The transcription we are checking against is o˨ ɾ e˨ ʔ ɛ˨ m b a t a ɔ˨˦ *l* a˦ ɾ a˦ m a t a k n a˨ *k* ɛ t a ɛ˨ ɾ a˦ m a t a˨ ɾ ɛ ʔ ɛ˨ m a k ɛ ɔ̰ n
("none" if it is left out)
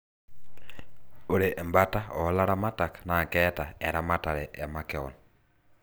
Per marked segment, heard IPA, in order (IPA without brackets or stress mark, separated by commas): l, k